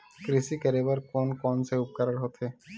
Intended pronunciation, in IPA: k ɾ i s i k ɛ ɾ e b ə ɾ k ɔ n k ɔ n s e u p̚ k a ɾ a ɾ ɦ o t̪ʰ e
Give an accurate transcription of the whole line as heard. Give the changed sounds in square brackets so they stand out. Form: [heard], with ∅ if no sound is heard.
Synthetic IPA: k ɾ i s i k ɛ ɾ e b [a] ɾ k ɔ n k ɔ n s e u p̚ k a ɾ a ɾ ɦ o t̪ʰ e